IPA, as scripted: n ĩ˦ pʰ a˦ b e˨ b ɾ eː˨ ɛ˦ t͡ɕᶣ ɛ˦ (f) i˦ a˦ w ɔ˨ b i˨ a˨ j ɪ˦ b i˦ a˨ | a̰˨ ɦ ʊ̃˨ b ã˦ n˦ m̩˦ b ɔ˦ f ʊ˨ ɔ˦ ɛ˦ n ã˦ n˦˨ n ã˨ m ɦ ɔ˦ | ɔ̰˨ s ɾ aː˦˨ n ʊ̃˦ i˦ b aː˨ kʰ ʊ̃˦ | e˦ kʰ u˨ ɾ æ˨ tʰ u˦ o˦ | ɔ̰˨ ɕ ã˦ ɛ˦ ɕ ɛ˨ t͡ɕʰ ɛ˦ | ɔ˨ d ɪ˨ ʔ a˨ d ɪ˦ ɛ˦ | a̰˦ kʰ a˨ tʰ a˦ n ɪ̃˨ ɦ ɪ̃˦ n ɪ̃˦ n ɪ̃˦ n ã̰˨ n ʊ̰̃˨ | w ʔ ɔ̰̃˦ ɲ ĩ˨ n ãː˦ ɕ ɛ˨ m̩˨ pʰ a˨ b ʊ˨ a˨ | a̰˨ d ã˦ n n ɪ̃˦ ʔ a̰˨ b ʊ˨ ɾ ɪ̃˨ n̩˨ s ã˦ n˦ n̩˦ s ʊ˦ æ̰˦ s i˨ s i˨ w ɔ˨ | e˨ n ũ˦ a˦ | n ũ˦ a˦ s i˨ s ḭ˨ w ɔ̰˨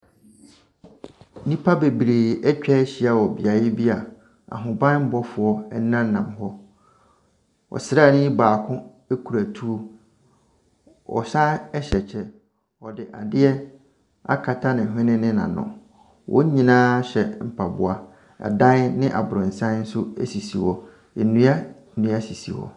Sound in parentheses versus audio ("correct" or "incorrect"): incorrect